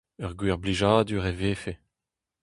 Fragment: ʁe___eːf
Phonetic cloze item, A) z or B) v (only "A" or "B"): B